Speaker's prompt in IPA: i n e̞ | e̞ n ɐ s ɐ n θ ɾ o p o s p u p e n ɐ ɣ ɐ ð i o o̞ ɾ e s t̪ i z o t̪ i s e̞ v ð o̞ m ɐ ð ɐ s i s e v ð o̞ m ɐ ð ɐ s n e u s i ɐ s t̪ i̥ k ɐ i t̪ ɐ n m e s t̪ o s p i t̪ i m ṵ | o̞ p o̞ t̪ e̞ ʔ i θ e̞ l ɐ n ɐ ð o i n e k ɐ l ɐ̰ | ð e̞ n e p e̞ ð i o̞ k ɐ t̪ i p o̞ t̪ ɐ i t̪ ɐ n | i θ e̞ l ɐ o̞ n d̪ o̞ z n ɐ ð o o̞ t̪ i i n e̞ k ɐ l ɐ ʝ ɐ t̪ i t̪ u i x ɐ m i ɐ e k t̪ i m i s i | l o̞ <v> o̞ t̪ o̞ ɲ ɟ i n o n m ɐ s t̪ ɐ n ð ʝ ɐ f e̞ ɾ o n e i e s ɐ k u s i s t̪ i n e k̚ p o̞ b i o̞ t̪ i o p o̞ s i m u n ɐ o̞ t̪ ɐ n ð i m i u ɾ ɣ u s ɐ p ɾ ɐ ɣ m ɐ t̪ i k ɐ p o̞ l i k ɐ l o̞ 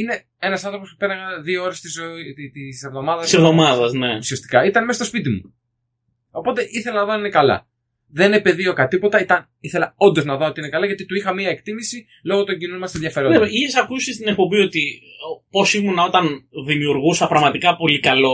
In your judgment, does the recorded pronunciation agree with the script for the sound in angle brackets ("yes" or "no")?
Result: no